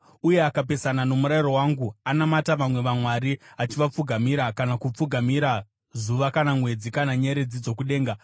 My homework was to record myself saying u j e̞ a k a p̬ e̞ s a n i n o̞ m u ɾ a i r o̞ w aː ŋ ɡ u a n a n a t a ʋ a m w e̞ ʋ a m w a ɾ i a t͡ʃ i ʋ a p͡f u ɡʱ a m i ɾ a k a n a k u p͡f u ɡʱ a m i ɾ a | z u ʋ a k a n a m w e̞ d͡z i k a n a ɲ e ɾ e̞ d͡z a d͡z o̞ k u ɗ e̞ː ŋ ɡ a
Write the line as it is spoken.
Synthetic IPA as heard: u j e̞ a k a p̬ e̞ s a n a n o̞ m u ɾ a i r o̞ w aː ŋ ɡ u a n a m a t a ʋ a m w e̞ ʋ a m w a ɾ i a t͡ʃ i ʋ a p͡f u ɡʱ a m i ɾ a k a n a k u p͡f u ɡʱ a m i ɾ a | z u ʋ a k a n a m w e̞ d͡z i k a n a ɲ e ɾ e̞ d͡z i d͡z o̞ k u ɗ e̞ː ŋ ɡ a